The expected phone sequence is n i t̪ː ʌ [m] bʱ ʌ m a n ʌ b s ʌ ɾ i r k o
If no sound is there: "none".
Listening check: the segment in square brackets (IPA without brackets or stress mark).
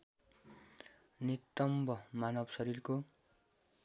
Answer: m